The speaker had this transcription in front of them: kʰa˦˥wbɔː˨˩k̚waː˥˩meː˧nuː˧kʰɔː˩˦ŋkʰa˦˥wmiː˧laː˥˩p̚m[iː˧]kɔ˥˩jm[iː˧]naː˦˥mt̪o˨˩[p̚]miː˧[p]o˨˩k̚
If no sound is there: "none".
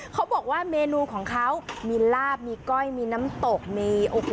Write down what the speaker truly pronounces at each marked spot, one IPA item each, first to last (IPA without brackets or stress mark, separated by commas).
iː˧, iː˧, k̚, ʔ